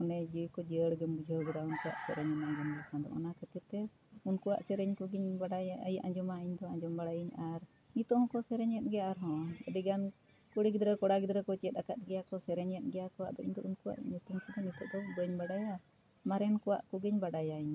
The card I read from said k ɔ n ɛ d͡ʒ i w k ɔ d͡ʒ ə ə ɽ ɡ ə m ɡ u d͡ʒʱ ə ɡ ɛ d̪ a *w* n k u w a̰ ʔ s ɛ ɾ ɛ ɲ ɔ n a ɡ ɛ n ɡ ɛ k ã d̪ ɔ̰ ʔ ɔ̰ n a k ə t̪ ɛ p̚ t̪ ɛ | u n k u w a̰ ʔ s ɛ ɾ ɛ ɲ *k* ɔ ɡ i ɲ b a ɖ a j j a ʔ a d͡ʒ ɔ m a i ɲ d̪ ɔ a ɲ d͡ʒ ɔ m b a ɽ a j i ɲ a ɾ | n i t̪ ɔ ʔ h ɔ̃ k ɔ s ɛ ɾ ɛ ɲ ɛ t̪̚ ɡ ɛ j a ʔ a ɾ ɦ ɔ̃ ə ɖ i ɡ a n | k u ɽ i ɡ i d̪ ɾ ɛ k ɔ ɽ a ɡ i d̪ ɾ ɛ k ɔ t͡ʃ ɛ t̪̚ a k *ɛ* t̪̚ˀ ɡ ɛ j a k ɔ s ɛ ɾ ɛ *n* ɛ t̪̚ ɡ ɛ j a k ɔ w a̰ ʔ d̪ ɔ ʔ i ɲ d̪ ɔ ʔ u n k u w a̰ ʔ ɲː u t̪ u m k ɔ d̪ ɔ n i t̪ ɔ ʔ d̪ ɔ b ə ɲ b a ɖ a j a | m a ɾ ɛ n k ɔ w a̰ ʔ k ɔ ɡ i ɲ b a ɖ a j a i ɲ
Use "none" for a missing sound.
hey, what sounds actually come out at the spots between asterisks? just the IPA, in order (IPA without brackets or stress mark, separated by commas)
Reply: u, k, a, ɲ